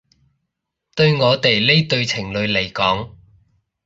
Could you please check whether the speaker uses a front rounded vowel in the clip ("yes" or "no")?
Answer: no